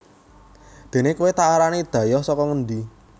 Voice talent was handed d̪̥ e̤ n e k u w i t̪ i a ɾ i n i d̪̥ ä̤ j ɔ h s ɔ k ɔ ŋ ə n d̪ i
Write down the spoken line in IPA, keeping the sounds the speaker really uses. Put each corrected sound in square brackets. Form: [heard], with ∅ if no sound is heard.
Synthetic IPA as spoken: d̪̥ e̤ n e k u w [e] t̪ [a] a ɾ [a] n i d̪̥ ä̤ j ɔ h s ɔ k ɔ ŋ ə n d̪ i